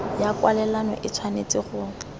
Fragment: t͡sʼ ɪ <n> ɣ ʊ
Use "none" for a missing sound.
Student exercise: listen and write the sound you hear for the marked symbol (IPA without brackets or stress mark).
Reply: none